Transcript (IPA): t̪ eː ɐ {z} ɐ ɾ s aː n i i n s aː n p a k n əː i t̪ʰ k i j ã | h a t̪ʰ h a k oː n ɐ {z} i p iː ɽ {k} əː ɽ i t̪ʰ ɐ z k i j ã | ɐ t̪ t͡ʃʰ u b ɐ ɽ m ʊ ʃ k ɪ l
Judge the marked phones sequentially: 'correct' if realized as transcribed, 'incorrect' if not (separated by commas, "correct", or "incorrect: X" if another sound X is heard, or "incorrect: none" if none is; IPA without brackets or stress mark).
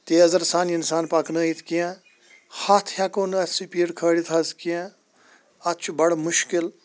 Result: correct, incorrect: s, incorrect: kʰ